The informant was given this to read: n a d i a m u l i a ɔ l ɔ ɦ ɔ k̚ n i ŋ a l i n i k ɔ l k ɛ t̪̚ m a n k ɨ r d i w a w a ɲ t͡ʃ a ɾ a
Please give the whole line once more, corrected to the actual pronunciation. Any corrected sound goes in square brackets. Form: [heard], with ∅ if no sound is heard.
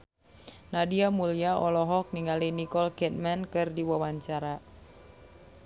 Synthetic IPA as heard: n a d i a m u l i a ɔ l ɔ ɦ ɔ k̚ n i ŋ a l i n i k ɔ l k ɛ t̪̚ m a n k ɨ r d i w a w a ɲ t͡ʃ a ɾ a